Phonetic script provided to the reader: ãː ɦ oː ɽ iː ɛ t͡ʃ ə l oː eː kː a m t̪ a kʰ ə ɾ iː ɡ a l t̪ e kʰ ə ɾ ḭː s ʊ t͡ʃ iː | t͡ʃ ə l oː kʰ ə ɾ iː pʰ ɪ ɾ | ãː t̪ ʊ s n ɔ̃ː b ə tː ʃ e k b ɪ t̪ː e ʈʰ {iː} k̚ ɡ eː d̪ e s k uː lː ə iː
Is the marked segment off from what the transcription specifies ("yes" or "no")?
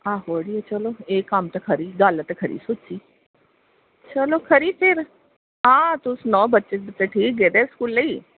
no